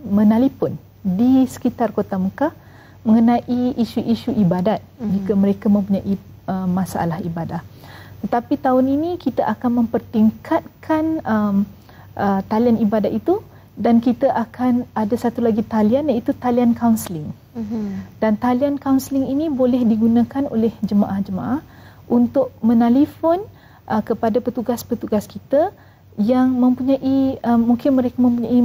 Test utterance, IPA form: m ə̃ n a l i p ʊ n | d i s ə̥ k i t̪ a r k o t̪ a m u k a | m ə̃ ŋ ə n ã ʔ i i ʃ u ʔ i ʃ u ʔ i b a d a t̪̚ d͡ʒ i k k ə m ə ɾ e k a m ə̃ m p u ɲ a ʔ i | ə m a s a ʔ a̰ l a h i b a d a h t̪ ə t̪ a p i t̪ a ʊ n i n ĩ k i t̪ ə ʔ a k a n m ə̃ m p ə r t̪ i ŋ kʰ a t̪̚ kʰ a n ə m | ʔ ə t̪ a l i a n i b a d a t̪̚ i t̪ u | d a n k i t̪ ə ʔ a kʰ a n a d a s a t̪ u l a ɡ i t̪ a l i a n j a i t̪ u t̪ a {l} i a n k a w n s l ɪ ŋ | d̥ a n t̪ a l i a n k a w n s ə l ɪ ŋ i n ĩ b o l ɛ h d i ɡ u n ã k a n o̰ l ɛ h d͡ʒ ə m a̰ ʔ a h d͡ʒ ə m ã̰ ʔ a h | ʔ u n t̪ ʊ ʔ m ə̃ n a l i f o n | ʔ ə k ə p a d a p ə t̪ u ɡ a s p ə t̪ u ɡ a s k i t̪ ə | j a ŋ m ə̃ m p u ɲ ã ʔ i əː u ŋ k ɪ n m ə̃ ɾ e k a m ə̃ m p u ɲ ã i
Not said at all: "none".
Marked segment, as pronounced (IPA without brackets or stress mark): l